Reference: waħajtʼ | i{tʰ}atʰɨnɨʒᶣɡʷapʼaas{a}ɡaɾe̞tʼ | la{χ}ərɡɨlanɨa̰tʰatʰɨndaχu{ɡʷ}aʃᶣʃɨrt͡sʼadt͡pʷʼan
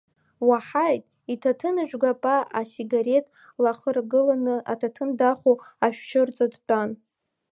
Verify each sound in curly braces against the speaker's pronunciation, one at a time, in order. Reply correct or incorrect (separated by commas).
correct, incorrect, correct, incorrect